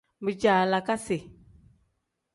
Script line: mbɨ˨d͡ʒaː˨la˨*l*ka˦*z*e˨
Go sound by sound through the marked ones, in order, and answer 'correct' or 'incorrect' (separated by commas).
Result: incorrect, incorrect